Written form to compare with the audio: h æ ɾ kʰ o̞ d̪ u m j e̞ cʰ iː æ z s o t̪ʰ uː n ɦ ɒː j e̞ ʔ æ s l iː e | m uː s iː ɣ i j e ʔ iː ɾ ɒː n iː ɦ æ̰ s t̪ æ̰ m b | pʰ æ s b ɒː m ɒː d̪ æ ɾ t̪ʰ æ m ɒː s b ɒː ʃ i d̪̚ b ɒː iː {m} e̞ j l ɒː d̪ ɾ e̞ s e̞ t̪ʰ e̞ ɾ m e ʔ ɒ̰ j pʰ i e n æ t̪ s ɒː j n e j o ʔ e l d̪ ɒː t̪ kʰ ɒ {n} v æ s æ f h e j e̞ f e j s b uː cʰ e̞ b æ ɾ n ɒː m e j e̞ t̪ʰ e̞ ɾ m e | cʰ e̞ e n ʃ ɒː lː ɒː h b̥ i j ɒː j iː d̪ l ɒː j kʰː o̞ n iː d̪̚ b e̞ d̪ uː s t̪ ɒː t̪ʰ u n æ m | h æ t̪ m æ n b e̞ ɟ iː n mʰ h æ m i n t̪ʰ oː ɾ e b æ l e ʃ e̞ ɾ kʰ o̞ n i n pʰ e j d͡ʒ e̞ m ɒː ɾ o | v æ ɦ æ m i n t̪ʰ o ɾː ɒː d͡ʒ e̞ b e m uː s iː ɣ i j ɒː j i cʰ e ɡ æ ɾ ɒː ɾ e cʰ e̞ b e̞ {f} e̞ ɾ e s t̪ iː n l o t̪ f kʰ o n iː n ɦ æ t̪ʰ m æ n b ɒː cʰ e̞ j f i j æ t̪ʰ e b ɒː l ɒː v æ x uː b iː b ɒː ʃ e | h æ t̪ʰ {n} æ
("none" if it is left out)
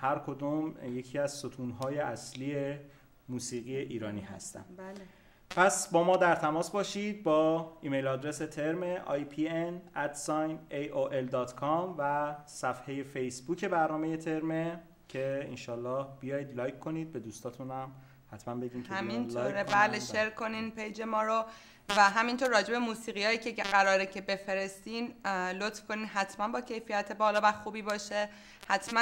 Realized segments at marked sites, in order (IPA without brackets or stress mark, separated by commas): m, m, f, m